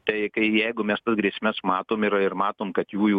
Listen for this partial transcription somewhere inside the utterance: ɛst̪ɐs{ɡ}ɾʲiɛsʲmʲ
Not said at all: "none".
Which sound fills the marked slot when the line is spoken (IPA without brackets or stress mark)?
ɡ